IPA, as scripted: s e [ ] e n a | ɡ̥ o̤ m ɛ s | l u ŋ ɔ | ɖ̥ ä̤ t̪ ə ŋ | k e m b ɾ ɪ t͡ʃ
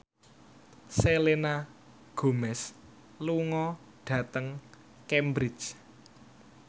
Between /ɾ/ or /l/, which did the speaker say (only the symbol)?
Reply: l